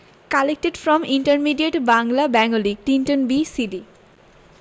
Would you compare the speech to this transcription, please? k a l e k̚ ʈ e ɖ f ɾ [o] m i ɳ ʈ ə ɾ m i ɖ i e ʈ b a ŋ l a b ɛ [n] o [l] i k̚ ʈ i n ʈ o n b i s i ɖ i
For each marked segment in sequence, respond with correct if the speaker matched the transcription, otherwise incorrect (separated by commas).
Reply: incorrect, incorrect, correct